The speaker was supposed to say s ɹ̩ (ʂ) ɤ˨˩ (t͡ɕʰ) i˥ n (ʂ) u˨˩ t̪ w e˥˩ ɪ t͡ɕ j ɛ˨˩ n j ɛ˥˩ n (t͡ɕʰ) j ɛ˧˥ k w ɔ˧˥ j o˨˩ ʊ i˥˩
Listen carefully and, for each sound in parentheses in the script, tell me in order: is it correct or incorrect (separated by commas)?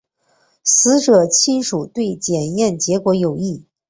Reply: incorrect, correct, correct, incorrect